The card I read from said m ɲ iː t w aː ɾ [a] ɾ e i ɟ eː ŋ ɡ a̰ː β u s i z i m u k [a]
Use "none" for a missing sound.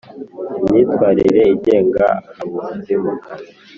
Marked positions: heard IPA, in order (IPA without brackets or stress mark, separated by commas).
i, a